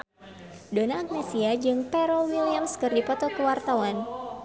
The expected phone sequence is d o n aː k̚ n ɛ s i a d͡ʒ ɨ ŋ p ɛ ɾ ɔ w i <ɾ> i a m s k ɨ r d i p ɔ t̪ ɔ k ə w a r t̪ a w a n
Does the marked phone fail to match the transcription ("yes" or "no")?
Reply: yes